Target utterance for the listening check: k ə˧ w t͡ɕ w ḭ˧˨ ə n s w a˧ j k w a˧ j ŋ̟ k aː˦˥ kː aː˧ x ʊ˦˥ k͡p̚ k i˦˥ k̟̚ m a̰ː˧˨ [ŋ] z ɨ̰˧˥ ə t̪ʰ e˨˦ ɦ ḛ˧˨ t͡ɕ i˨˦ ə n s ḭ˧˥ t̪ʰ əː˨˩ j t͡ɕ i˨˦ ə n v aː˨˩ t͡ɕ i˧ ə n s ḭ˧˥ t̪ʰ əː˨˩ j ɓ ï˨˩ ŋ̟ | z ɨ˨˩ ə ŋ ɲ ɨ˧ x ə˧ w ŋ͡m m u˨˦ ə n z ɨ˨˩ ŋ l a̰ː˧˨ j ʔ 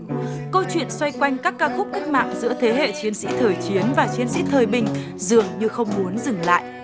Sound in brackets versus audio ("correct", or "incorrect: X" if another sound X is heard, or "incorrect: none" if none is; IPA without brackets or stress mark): correct